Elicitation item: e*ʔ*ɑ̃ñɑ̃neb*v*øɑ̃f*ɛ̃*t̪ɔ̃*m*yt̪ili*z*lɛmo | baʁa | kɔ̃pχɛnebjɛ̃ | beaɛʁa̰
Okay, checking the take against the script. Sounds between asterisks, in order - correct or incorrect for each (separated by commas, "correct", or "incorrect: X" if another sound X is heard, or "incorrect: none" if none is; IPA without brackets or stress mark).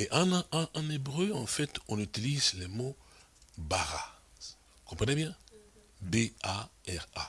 correct, incorrect: ʁ, incorrect: ɛ, incorrect: n, correct